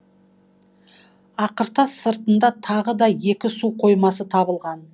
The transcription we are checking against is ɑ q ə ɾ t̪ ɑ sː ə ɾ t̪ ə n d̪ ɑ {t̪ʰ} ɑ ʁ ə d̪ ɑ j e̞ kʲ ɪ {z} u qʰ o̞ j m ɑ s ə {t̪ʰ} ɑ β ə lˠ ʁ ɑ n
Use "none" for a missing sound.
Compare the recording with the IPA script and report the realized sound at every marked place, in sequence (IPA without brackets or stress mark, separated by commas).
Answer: t̪ʰ, s, t̪ʰ